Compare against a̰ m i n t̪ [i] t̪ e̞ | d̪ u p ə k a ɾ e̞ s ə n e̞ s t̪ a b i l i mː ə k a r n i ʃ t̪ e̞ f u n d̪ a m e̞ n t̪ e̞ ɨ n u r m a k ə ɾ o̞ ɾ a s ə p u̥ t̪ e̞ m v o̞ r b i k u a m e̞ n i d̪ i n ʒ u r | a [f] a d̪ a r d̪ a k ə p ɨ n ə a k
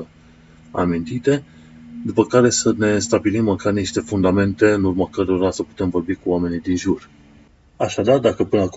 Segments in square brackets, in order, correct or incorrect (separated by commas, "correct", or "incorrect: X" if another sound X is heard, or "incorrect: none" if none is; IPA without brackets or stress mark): correct, incorrect: ʃ